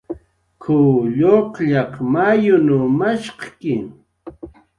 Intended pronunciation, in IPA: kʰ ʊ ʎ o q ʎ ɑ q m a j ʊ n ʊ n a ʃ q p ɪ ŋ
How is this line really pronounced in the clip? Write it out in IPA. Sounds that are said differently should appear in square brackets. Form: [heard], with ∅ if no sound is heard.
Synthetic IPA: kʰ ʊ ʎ o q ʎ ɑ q m a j ʊ n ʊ [m] a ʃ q [k] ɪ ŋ